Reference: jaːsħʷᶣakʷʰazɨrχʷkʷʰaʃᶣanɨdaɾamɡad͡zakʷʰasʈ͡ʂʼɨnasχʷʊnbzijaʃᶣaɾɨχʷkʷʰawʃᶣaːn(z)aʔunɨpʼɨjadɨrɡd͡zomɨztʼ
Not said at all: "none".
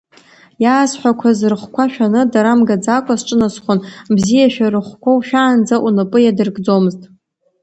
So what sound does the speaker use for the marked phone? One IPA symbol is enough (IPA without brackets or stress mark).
d͡z